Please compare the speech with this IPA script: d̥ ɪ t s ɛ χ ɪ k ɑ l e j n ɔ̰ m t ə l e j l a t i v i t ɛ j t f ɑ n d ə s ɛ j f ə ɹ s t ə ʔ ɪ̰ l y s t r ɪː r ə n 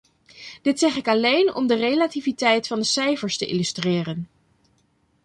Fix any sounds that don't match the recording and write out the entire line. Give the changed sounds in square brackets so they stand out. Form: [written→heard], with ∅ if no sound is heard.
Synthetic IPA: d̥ ɪ t s ɛ χ ɪ k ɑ l e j n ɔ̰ m [t→d] ə [l→r] e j l a t i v i t ɛ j t f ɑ n d ə s ɛ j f ə ɹ s t ə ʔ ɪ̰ l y s t r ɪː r ə n